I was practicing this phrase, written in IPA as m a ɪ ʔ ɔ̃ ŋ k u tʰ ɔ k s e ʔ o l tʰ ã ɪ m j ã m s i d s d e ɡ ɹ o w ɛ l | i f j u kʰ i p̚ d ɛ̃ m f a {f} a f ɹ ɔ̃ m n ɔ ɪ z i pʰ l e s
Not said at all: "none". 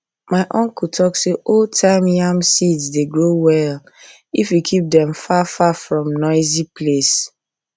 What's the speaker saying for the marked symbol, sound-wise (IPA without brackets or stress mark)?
f